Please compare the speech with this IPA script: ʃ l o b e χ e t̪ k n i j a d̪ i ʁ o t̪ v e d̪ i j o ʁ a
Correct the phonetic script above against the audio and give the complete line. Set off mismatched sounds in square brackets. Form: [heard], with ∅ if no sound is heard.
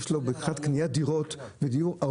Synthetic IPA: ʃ l o b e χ [a] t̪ k n i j a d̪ i ʁ o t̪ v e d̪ i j [u] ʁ a